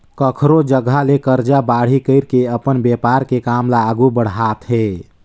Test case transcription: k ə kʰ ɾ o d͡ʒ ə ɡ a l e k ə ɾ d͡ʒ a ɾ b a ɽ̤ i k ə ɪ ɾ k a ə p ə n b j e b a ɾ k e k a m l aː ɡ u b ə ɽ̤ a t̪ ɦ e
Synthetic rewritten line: k ə kʰ ɾ o d͡ʒ ə ɡ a l e k ə ɾ d͡ʒ a b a ɽ̤ i k ə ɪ ɾ k e ə p ə n b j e p a ɾ k e k a m l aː ɡ u b ə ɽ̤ a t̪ ɦ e